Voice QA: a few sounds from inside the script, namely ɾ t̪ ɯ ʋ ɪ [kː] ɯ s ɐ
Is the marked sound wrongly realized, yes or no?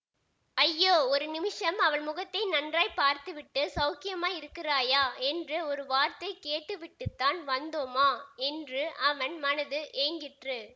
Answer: yes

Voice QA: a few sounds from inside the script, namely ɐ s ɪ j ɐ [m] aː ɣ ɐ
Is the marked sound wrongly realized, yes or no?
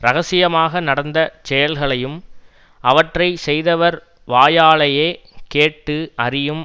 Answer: no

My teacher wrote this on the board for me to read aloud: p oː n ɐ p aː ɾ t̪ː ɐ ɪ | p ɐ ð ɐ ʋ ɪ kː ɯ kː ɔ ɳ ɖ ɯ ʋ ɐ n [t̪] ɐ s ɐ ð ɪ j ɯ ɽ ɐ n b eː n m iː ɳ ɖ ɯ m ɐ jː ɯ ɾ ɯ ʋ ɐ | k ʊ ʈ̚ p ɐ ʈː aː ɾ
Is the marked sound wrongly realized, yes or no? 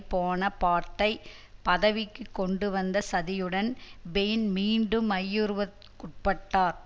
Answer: yes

